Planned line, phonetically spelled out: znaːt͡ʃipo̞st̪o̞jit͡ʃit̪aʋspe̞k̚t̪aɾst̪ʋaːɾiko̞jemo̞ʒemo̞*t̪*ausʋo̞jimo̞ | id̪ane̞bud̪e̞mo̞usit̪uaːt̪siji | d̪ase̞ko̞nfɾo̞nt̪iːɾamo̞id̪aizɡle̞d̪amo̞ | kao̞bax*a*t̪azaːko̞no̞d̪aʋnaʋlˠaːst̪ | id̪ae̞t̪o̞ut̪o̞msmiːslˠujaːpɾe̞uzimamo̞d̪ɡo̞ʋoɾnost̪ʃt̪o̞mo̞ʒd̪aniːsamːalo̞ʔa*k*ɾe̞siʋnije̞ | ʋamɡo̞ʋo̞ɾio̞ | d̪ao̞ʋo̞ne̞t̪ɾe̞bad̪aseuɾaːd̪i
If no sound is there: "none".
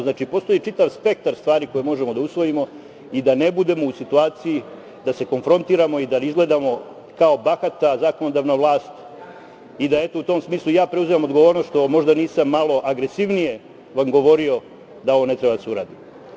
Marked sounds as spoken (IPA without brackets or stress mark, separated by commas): d̪, a, ɡ